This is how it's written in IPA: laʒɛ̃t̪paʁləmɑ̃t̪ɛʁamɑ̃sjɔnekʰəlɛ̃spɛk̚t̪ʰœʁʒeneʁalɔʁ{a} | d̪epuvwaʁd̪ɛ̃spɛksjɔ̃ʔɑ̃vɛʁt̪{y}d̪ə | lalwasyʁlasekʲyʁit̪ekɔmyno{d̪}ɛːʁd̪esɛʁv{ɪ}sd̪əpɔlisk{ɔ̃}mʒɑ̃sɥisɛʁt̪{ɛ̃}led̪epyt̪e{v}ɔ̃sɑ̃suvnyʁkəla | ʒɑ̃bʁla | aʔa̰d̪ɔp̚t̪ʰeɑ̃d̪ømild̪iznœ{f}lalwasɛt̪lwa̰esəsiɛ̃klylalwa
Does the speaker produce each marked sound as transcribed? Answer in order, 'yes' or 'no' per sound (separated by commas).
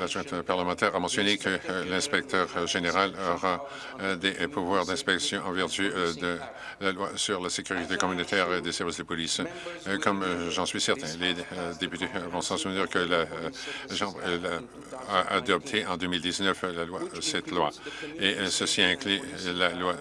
yes, yes, no, no, no, yes, yes, yes